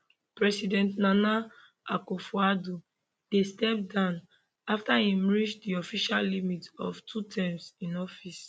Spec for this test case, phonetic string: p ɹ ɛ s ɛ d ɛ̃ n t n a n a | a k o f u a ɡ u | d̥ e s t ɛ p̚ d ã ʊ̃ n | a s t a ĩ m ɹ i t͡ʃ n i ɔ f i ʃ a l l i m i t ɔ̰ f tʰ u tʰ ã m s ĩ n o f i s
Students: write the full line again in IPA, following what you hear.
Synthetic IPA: p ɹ ɛ s i d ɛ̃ n t n a n a | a k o f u a d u | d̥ e s t ɛ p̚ d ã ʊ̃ n | a f t a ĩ m ɹ i t͡ʃ d i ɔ f i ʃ a l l i m i t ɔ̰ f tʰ u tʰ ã m s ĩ n ɔ f i s